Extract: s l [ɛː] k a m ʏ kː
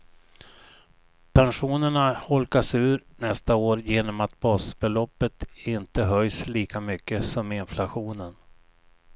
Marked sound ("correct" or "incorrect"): incorrect